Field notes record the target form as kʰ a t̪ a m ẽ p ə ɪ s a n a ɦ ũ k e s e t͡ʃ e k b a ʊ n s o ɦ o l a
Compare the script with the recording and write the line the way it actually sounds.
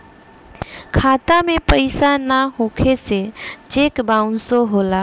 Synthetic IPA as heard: kʰ a t̪ a m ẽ p ə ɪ s a n a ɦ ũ kʰ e s e t͡ʃ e k b a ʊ n s o ɦ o l a